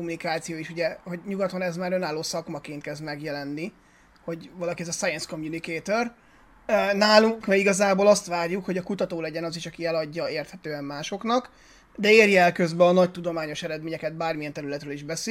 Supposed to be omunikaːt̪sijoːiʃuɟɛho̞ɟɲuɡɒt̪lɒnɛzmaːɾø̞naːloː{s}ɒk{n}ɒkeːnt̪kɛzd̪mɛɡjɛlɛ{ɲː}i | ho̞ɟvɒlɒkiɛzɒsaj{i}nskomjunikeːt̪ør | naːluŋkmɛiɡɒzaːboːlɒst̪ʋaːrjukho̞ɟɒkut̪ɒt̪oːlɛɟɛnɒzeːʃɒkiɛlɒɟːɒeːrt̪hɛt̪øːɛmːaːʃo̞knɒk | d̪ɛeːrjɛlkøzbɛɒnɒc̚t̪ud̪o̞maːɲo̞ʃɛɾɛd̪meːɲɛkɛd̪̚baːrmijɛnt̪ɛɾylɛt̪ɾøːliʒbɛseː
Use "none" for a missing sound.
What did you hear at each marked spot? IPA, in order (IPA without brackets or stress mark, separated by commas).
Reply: s, m, nː, ɛ